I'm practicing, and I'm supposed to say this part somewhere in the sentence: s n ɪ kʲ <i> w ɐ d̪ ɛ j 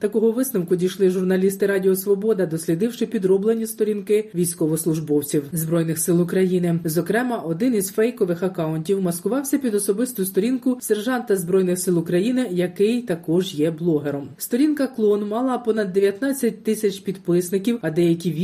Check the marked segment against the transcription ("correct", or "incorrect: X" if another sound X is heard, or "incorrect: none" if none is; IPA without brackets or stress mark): correct